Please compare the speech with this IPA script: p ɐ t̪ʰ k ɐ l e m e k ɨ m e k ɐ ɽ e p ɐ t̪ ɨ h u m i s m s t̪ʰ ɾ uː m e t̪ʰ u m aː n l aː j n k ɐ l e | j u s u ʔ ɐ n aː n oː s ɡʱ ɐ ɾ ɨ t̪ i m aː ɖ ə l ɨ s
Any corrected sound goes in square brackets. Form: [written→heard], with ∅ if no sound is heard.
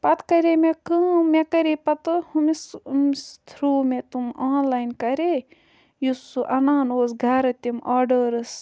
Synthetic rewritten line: p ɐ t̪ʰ k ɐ [l→ɾ] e m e k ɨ m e k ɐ [ɽ→ɾ] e p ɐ t̪ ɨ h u m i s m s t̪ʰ ɾ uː m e [t̪ʰ→t̪] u m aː n l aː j n k ɐ [l→ɾ] e | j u s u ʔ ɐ n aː n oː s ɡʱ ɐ ɾ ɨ t̪ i m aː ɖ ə [l→ɾ] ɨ s